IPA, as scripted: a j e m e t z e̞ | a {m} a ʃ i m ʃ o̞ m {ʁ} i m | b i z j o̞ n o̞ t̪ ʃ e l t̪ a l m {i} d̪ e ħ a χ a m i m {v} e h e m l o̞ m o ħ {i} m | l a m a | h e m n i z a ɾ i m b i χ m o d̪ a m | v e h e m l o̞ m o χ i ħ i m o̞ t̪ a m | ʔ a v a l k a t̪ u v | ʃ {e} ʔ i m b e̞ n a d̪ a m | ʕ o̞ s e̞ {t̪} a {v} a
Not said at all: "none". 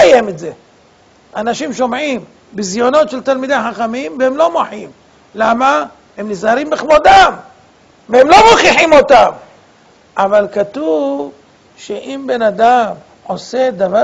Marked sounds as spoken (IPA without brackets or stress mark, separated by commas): n, ʕ, i, v, i, e, d̪, v